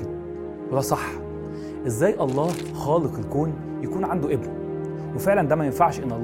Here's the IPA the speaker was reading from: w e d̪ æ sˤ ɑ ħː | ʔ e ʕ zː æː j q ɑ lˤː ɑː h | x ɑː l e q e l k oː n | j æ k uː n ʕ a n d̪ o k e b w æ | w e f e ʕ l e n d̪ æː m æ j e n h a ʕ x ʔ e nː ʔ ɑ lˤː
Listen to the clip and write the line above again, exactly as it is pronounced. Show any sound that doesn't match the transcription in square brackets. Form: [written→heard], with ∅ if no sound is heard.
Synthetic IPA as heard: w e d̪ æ sˤ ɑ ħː | ʔ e [ʕ→∅] zː æː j [q→ʔ] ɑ lˤː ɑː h | x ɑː l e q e l k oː n | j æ k uː n ʕ a n d̪ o [k→ʔ] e b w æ | w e f e ʕ l [e→æ] n d̪ æː m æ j e n [h→f] a ʕ [x→ʃ] ʔ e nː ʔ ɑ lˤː